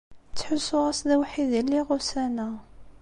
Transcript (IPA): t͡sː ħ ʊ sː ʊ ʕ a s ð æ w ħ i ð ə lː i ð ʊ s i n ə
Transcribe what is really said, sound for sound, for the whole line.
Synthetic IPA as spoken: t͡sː ħ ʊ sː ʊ ʁ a s ð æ w ħ i ð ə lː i ʁ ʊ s æ n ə